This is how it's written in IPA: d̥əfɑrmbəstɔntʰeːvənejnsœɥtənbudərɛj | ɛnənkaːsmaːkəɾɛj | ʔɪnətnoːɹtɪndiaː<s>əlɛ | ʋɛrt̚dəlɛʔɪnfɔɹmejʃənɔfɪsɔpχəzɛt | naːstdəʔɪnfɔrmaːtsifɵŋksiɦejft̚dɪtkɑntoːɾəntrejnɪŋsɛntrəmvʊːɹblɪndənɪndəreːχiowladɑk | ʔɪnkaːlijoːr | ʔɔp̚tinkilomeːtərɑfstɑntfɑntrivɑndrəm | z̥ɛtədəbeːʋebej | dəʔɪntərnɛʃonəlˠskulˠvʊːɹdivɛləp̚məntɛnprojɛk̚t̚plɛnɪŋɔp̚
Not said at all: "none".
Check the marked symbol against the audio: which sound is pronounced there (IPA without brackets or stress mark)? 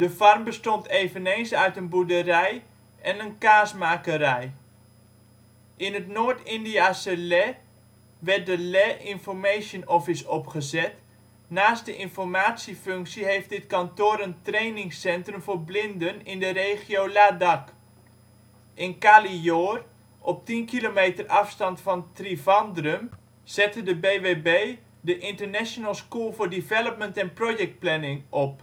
s